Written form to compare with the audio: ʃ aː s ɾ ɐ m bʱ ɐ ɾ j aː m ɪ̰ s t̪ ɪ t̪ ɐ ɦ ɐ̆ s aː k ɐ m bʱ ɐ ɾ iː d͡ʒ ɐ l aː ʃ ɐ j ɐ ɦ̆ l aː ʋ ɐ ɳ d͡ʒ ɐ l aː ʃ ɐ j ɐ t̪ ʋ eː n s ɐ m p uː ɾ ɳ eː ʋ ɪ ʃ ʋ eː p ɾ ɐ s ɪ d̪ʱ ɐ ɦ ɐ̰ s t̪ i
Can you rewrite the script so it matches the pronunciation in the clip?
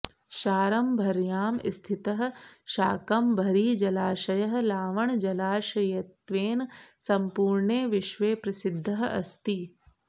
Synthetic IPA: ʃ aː ɾ ɐ m bʱ ɐ ɾ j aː m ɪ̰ s t̪ʰ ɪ t̪ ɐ ɦ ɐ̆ ʃ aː k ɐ m bʱ ɐ ɾ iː d͡ʒ ɐ l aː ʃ ɐ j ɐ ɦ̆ l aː ʋ ɐ ɳ d͡ʒ ɐ l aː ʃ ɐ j ɐ t̪ ʋ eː n s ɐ m p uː ɾ ɳ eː ʋ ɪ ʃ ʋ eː p ɾ ɐ s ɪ d̪ʱː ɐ ɦ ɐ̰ s t̪ i